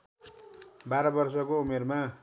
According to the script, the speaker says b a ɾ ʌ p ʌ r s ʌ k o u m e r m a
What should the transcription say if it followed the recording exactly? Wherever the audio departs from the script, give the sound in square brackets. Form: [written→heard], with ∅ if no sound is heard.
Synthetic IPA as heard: b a ɾ ʌ [p→b] ʌ r s ʌ k o u m e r m a